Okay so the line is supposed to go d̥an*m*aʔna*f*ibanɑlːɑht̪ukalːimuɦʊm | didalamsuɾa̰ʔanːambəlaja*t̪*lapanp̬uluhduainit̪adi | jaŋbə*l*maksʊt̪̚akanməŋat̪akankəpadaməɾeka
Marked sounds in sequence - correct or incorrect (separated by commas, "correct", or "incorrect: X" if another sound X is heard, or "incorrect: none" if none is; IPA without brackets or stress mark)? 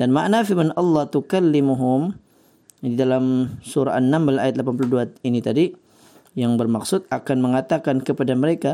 correct, correct, correct, incorrect: r